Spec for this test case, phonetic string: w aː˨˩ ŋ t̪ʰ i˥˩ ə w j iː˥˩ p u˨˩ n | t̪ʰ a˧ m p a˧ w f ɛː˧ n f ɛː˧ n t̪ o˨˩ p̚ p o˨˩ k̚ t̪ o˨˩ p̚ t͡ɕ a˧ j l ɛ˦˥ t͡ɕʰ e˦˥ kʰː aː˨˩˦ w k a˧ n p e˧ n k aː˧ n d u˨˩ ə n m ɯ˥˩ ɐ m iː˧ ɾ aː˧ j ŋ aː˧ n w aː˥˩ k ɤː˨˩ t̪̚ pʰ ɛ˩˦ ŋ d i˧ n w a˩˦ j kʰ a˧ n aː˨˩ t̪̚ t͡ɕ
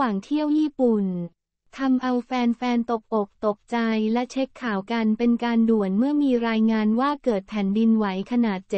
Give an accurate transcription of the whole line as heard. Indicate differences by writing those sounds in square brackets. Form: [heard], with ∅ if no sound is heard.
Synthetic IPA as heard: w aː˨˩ ŋ t̪ʰ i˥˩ ə w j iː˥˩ p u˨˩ n | t̪ʰ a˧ m [ʔ] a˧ w f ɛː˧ n f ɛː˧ n t̪ o˨˩ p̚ [ʔ] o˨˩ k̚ t̪ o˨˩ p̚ t͡ɕ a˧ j l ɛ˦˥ t͡ɕʰ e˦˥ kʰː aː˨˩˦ w k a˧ n p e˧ n k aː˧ n d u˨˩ ə n m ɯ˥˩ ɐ m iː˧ ɾ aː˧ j ŋ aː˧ n w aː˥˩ k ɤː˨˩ t̪̚ pʰ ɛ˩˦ [n] d i˧ n w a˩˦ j kʰ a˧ n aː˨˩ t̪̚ t͡ɕ